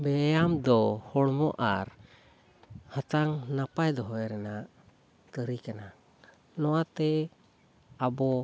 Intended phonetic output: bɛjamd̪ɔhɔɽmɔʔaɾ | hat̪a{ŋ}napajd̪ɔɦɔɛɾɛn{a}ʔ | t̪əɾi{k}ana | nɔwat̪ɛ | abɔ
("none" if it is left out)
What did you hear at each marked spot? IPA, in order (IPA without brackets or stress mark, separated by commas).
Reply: ŋ, a, k